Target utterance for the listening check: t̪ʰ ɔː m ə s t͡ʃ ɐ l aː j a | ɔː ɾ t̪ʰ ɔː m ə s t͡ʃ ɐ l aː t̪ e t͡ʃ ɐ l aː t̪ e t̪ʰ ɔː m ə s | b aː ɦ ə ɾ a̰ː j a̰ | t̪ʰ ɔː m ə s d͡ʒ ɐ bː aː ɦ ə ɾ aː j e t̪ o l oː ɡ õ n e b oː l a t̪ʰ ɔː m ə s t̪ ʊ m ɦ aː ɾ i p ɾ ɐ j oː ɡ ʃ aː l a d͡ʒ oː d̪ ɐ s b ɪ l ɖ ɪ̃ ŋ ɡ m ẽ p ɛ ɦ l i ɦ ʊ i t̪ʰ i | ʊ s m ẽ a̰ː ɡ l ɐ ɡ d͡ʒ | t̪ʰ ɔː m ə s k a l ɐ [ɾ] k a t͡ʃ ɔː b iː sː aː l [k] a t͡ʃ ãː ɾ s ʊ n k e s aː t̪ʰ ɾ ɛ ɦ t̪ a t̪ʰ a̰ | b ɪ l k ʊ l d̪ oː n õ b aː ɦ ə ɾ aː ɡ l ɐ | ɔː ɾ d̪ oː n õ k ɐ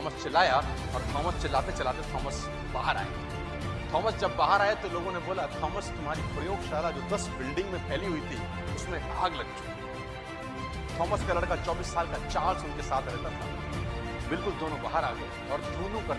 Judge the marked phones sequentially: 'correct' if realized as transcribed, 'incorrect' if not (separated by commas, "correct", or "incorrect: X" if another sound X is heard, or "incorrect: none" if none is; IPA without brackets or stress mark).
incorrect: ɽ, correct